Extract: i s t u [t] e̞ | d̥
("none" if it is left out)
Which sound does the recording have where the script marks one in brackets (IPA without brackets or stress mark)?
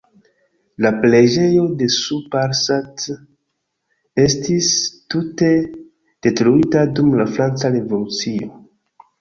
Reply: t